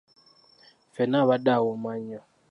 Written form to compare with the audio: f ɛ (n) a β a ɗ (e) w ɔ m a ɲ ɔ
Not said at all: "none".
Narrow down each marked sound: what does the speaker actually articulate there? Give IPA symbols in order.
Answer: n, a

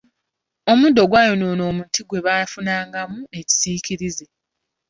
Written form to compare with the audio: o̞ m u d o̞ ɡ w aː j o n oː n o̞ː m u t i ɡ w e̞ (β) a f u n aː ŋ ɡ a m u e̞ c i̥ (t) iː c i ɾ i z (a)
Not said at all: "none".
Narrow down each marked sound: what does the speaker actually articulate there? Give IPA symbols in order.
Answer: β, s, e

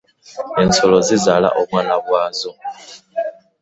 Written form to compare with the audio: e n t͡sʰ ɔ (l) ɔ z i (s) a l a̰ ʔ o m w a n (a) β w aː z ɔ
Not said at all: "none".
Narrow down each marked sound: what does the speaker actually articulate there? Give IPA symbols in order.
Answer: l, z, a

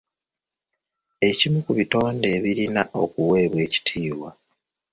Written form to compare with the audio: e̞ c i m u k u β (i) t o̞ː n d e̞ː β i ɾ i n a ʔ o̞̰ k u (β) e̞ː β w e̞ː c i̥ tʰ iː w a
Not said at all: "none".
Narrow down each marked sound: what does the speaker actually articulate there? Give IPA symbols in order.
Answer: i, w

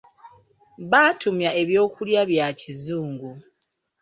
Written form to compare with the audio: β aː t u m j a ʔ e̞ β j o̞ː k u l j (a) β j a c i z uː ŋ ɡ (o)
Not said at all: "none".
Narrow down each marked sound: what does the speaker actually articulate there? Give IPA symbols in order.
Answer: a, u

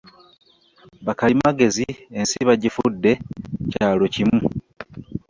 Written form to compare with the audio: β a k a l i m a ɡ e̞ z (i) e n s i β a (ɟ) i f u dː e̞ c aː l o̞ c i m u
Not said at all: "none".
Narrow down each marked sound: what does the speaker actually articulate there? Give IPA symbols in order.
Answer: i, ɟ

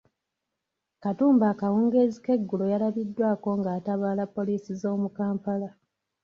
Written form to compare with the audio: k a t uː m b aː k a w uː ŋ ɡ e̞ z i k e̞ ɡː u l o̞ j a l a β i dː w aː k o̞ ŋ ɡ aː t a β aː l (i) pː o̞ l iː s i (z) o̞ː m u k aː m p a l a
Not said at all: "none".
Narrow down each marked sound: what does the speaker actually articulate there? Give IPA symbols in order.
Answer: a, z

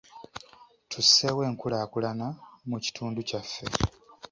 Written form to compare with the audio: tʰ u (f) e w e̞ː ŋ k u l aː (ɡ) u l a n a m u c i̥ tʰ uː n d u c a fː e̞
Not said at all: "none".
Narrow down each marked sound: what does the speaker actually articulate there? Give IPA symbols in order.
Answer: s, k

